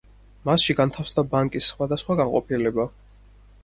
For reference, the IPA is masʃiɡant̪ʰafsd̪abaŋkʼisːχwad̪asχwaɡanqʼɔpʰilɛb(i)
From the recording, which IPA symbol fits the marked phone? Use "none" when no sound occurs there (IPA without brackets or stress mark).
a